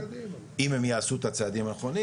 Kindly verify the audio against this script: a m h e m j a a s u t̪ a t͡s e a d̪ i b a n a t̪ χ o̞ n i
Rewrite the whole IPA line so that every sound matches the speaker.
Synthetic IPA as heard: i m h e m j a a s u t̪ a t͡s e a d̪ i m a n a χ o̞ n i